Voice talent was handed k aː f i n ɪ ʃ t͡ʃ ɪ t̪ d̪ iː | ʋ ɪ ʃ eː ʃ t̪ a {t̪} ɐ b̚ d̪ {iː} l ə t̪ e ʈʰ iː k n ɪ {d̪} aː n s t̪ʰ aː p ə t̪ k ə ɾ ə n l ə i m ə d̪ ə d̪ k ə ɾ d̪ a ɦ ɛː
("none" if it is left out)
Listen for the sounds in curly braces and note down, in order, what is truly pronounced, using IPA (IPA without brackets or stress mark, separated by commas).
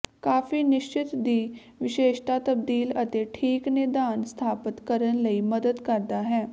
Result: t̪, iː, d̪